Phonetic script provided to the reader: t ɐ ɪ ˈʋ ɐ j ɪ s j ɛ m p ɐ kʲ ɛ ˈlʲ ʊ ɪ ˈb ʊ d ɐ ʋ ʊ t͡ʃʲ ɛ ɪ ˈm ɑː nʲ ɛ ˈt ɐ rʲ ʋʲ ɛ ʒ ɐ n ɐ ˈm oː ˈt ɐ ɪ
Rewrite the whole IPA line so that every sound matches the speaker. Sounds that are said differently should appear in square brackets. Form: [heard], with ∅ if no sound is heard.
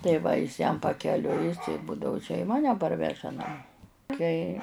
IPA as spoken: t ɐ ɪ ˈʋ ɐ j ɪ s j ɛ m p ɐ kʲ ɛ ˈlʲ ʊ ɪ ˈb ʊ d ɐ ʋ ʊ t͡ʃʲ ɛ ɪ ˈm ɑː nʲ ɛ [ˈp] ɐ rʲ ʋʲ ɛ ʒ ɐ n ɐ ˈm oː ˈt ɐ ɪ